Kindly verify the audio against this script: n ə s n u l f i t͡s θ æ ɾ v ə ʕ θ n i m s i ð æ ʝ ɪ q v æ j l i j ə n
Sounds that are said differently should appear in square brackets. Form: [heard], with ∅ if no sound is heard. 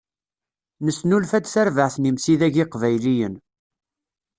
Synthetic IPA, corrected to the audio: n ə s n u l f [æ] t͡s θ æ ɾ v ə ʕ θ n i m s i ð æ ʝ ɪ q v æ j l i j ə n